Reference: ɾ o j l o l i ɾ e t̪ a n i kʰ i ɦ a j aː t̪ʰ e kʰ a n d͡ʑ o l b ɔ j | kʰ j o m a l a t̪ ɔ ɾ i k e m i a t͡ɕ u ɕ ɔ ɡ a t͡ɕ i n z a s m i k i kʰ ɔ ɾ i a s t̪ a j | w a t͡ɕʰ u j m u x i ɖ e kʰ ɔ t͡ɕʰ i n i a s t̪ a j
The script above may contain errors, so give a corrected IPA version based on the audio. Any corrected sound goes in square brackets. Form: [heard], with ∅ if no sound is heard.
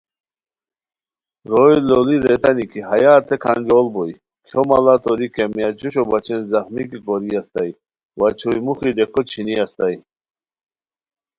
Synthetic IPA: ɾ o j l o l i ɾ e t̪ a n i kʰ i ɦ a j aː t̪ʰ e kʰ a n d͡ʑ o l b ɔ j | kʰ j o m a l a t̪ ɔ ɾ i k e m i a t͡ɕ u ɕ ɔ [b] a t͡ɕ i n z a [x] m i k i [k] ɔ ɾ i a s t̪ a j | w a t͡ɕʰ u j m u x i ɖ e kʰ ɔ t͡ɕʰ i n i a s t̪ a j